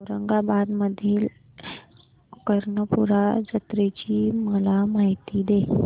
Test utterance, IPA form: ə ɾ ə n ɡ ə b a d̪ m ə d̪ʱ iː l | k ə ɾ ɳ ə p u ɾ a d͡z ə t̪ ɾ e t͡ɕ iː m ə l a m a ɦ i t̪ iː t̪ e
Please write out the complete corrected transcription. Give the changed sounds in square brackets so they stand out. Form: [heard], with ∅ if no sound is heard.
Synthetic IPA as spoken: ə ɾ ə [ŋ] ɡ [a] b a d̪ m ə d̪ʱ iː l | k ə ɾ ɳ ə p u ɾ a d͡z ə t̪ ɾ e t͡ɕ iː m ə l a m a ɦ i t̪ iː [d̪] e